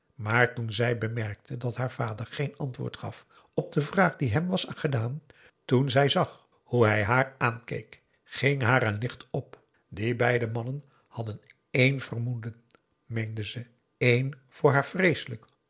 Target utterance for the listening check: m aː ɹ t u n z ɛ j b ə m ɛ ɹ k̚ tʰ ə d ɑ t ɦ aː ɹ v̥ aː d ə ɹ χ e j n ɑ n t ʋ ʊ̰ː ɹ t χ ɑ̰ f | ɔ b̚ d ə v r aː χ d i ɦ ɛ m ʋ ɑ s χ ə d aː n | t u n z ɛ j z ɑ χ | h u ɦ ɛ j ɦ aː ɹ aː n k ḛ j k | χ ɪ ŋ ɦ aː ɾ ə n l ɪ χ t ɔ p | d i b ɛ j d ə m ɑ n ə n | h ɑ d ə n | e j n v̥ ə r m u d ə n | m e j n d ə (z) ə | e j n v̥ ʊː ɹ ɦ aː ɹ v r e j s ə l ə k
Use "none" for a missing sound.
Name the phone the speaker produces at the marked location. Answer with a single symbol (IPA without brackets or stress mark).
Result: z